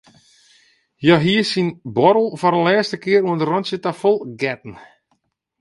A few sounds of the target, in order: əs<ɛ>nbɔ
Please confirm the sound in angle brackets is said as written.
no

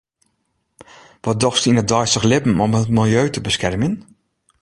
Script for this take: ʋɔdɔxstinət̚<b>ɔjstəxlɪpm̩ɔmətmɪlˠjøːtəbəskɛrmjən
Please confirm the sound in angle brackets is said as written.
no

